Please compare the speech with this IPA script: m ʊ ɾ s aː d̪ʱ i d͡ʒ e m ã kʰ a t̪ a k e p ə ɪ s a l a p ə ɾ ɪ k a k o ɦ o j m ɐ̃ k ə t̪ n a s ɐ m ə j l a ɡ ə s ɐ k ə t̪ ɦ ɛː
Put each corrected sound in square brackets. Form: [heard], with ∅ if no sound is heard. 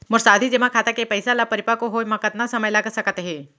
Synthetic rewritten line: m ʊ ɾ s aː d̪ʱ i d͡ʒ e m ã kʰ a t̪ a k e p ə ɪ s a l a p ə ɾ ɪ [p] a k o ɦ o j m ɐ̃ k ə t̪ n a s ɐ m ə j l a ɡ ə s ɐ k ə t̪ ɦ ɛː